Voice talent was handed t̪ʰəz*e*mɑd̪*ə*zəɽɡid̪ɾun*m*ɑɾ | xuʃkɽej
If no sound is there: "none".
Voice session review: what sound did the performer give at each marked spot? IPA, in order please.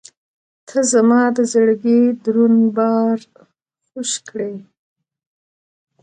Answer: a, ə, b

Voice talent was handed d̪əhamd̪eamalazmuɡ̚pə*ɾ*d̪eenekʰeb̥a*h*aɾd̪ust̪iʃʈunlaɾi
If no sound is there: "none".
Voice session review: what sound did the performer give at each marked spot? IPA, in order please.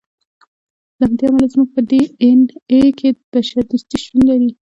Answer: none, ʃ

